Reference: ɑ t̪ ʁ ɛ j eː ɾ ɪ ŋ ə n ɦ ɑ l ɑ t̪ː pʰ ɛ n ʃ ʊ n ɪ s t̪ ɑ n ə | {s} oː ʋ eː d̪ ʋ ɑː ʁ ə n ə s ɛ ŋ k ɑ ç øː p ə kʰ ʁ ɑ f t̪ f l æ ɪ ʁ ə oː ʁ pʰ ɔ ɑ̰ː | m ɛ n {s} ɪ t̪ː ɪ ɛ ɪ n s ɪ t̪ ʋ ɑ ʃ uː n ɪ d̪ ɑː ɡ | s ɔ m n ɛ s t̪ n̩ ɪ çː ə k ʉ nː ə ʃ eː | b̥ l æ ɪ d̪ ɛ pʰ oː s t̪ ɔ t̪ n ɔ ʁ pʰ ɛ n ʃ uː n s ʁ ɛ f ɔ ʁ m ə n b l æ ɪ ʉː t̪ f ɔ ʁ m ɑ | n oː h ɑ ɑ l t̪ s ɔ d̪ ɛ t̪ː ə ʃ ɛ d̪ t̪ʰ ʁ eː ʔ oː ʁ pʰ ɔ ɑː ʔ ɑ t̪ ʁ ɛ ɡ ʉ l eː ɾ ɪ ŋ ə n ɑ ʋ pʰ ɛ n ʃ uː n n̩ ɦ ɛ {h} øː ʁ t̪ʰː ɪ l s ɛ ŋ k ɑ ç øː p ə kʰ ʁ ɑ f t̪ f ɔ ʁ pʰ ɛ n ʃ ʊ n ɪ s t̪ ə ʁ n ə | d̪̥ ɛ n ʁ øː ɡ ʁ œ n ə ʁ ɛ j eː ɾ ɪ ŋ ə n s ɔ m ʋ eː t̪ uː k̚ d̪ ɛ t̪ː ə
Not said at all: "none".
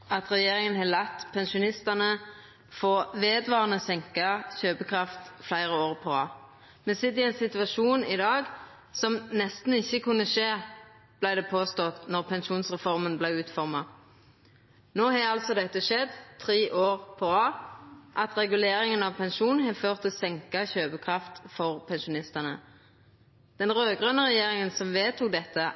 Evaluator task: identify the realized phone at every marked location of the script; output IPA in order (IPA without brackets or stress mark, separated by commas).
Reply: f, s, f